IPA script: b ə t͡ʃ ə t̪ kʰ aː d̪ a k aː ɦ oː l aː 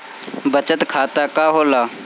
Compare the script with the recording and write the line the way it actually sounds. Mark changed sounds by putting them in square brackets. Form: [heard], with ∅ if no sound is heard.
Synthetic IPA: b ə t͡ʃ ə t̪ kʰ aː [t̪] a k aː ɦ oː l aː